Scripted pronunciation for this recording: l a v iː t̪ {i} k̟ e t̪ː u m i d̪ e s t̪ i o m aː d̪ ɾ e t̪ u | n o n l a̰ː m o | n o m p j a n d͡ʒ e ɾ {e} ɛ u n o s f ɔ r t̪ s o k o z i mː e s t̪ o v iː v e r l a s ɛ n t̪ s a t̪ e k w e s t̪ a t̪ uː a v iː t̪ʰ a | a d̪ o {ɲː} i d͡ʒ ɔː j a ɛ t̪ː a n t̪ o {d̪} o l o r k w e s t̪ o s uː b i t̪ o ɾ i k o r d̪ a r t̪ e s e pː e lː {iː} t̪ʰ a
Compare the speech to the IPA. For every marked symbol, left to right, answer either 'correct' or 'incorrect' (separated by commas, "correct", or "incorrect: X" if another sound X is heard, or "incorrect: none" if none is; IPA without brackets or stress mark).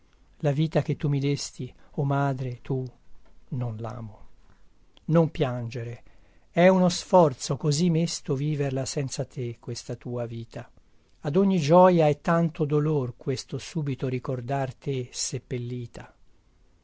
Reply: incorrect: a, correct, correct, correct, correct